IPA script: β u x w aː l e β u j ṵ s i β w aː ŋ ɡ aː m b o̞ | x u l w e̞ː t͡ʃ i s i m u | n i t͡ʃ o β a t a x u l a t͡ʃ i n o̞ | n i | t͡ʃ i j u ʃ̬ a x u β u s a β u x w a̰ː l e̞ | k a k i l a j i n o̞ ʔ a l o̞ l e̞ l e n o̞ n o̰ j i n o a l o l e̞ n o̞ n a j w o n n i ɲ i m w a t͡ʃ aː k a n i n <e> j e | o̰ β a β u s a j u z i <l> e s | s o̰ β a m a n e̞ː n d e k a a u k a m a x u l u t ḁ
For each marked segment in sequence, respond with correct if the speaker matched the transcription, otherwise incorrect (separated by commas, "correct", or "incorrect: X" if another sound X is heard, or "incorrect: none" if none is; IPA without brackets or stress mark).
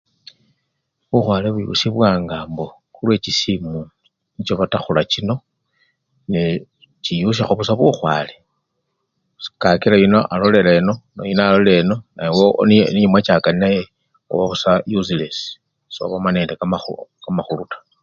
incorrect: a, correct